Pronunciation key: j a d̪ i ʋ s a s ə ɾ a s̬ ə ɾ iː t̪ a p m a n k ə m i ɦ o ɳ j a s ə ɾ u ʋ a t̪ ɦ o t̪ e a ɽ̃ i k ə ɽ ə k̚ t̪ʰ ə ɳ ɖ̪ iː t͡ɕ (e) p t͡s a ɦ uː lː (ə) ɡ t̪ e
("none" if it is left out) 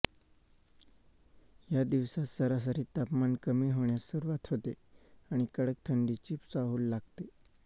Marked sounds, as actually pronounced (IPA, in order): i, a

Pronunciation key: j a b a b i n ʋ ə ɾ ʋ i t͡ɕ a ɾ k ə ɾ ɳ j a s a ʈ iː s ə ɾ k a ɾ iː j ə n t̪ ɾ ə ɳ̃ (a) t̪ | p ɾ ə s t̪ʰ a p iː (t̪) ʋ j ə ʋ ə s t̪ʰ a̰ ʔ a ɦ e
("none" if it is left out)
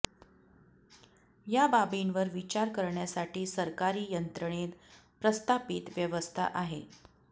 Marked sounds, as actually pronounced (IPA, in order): e, t̪

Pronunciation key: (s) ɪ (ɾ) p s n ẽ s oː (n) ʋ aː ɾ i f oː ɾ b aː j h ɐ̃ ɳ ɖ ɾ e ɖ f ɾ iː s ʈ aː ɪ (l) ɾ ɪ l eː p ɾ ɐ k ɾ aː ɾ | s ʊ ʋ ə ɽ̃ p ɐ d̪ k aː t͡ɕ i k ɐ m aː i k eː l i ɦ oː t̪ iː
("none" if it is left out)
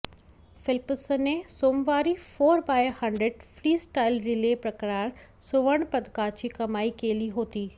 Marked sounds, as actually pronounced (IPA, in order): f, l, m, l

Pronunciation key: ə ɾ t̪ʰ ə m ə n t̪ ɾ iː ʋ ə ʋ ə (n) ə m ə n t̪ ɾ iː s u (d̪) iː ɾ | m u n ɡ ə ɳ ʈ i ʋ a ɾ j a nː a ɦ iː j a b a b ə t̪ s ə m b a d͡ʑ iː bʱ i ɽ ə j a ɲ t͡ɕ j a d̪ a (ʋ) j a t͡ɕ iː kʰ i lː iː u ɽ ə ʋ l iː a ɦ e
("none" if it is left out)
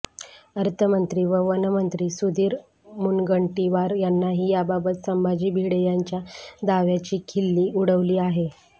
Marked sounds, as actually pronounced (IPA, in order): n, d̪, ʋ

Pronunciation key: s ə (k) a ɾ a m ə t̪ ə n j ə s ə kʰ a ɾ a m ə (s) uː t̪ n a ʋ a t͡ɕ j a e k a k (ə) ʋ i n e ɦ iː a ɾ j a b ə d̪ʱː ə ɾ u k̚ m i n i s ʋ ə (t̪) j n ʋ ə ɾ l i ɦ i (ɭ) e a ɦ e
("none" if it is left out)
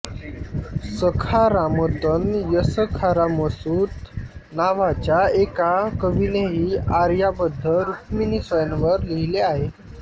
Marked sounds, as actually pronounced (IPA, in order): kʰ, s, ə, none, l

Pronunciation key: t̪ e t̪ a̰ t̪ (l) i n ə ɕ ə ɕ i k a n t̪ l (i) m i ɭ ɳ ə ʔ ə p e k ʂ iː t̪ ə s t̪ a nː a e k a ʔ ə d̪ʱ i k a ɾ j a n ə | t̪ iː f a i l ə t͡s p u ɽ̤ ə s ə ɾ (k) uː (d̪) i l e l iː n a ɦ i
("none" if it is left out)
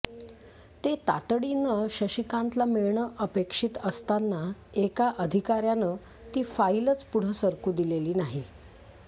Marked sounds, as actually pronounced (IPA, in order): ɽ, a, k, d̪

